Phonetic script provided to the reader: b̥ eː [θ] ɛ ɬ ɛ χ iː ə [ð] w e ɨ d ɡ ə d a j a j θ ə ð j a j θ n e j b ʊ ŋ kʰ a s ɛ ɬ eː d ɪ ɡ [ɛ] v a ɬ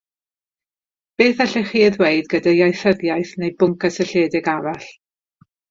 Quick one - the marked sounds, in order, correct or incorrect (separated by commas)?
correct, correct, incorrect